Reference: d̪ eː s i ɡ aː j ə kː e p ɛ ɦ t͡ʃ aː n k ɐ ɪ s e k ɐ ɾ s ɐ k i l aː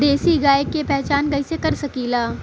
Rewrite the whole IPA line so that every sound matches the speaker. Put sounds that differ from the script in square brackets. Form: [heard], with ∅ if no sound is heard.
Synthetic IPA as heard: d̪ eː s i ɡ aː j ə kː e p ɛ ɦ t͡ʃ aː n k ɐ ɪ s e k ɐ ɾ s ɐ k i l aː